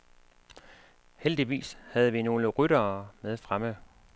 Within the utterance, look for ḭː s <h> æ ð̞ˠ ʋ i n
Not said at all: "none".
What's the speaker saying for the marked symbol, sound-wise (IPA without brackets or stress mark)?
h